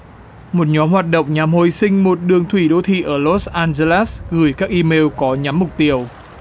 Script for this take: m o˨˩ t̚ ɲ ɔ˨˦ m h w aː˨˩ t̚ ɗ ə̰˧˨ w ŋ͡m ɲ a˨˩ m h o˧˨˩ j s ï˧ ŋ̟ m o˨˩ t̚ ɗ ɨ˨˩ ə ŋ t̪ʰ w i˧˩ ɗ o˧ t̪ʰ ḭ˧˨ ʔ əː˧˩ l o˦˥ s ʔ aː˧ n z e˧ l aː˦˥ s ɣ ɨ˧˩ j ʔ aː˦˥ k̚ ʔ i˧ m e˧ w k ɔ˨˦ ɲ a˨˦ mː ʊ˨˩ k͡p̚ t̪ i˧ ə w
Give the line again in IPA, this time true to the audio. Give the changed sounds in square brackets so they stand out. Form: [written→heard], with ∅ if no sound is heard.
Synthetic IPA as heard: m o˨˩ t̚ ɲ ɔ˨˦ m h w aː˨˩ t̚ ɗ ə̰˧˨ w ŋ͡m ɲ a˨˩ m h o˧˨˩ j s ï˧ ŋ̟ m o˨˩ t̚ ɗ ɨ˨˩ ə ŋ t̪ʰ w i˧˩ ɗ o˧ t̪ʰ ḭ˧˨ ʔ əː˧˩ l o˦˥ s ʔ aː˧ n z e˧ l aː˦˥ s ɣ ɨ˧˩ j [ʔ→k] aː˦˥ k̚ ʔ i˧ m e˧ w k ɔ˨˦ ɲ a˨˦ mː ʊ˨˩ k͡p̚ t̪ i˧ ə w